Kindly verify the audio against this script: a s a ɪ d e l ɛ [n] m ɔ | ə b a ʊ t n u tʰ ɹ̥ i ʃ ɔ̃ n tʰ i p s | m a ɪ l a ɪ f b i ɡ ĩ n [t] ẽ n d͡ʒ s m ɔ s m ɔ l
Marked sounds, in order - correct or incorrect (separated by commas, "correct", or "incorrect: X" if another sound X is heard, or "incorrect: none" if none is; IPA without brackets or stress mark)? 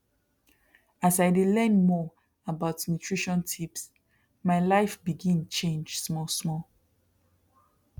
correct, incorrect: t͡ʃ